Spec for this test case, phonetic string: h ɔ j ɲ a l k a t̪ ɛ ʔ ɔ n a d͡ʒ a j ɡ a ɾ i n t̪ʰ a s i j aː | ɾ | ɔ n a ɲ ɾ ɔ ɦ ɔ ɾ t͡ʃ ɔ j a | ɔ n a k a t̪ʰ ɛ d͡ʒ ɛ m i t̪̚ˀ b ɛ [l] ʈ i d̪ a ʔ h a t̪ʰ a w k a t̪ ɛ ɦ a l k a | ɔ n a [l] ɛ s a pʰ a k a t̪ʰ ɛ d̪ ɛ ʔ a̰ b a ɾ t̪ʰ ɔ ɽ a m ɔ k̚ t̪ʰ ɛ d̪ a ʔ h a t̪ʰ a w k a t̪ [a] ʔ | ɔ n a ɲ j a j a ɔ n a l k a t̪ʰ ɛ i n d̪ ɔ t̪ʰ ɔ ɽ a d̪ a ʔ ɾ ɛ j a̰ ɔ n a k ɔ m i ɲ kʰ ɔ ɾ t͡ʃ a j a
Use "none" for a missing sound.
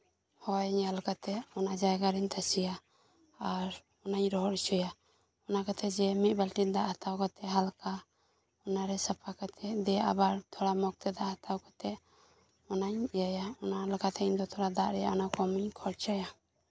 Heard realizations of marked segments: l, ɾ, ɛ

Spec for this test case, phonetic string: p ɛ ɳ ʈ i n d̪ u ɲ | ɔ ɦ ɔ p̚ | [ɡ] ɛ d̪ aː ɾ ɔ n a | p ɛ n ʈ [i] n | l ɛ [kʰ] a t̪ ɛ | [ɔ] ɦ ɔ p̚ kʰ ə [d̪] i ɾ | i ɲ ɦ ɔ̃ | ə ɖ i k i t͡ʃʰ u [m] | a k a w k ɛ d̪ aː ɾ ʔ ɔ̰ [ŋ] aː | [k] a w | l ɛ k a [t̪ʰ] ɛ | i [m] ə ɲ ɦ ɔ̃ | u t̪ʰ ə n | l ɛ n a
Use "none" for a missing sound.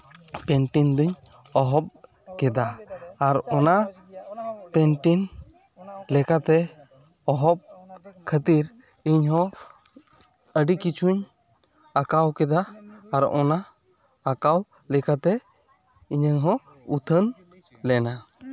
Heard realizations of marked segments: k, i, k, ɔ, t̪, ɲ, n, k, t̪, ɲ

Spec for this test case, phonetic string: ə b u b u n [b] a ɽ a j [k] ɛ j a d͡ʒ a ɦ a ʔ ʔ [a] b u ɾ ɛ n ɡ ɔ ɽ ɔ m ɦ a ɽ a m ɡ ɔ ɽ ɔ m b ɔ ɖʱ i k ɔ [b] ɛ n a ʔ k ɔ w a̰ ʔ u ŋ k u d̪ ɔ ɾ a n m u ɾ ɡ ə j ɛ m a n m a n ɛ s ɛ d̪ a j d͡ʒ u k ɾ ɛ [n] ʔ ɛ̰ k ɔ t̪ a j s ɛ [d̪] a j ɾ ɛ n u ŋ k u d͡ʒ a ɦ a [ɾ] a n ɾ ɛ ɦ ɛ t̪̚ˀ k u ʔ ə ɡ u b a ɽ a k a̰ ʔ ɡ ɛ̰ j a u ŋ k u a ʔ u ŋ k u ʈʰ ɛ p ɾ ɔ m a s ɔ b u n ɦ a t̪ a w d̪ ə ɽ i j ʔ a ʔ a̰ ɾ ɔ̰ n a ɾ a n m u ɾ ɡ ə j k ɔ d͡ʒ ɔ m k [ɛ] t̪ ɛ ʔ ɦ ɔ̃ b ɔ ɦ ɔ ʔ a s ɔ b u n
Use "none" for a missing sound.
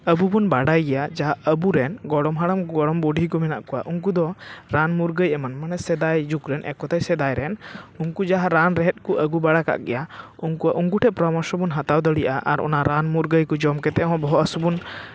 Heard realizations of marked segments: b, ɡ, ə, m, n, d̪, ɾ, ɛ

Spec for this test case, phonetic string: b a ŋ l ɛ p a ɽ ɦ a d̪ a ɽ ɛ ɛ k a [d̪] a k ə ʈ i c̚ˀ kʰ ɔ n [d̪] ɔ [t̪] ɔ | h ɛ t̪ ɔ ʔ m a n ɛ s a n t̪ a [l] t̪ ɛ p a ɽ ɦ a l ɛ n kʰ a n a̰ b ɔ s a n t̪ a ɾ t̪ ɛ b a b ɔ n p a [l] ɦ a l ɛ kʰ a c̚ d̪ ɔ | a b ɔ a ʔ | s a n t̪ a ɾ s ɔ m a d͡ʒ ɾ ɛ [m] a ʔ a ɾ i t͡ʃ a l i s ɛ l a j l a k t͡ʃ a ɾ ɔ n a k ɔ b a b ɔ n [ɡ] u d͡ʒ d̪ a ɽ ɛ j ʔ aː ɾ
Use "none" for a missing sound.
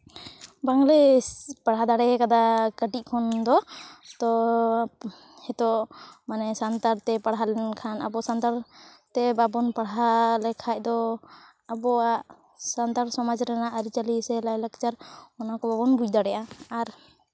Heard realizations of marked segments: d̪, d̪, t̪, ɾ, ɽ, n, b

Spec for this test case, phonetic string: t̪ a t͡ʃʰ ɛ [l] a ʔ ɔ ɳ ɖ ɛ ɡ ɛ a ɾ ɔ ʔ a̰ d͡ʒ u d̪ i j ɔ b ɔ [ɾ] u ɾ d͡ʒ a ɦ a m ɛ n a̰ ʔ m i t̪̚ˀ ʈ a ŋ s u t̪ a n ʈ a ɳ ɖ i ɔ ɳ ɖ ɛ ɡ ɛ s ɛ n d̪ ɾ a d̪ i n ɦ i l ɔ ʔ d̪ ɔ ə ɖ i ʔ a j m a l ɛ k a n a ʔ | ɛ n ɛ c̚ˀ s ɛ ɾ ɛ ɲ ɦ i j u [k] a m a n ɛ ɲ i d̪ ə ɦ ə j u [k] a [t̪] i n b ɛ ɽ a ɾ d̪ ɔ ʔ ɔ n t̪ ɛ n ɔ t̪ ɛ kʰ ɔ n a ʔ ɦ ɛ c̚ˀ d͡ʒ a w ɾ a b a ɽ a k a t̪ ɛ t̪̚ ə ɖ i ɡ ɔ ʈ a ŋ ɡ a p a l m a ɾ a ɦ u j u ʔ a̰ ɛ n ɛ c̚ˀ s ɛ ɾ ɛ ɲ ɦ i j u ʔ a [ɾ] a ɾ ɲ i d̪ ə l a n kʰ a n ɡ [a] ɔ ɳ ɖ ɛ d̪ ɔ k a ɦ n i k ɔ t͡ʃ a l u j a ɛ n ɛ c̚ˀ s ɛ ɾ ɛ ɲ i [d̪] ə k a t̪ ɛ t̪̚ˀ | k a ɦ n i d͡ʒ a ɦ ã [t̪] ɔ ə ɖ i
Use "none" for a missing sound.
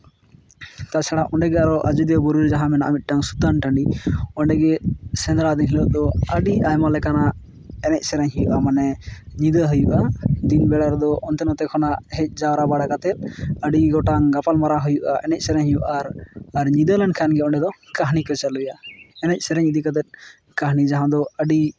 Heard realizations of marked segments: ɽ, ɾ, ʔ, ʔ, d̪, ɾ, ɛ, d̪, d̪

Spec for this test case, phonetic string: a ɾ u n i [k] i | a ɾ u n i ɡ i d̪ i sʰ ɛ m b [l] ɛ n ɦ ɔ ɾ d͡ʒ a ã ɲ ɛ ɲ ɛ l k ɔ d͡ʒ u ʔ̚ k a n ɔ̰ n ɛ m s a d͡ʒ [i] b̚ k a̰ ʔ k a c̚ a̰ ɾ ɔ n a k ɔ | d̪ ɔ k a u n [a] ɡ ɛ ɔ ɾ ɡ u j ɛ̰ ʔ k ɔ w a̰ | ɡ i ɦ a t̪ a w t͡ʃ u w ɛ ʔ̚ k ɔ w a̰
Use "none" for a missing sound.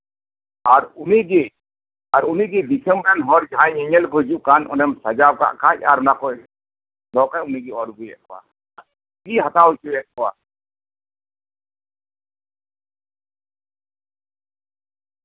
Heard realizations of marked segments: ɡ, ɾ, a, i

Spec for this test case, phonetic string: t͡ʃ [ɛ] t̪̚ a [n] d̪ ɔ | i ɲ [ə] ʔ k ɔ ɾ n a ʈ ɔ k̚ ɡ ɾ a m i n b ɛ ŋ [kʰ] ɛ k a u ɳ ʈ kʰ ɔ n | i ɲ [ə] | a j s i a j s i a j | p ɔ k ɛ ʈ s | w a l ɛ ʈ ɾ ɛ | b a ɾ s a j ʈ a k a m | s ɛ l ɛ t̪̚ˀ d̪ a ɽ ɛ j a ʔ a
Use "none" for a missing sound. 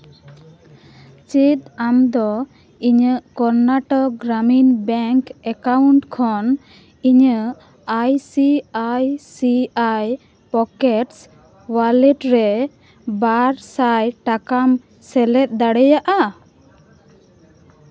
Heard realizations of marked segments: i, m, ə, k, ə

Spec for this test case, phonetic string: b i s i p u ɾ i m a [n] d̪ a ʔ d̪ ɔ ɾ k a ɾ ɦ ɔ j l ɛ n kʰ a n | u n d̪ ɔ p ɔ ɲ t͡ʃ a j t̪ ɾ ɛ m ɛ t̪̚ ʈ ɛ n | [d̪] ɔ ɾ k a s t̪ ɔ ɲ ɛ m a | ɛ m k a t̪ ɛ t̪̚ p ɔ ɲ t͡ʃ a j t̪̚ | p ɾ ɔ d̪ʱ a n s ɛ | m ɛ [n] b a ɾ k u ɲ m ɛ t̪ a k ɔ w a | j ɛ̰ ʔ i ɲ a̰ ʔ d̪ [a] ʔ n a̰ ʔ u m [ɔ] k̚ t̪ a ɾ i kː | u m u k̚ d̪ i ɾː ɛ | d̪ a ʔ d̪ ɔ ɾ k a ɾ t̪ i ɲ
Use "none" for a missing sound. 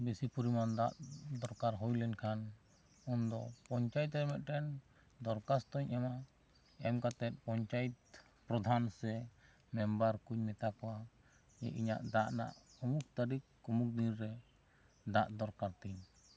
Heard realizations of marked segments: n, d̪, m, a, u

